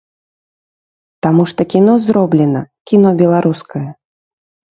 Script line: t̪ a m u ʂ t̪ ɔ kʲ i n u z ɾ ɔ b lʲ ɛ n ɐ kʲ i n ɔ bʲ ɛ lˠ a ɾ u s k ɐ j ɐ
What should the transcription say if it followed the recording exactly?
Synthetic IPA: t̪ a m u ʂ t̪ ɔ kʲ i n ɔ z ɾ ɔ b lʲ ɛ n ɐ kʲ i n ɔ bʲ ɛ lˠ a ɾ u s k ɐ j ɐ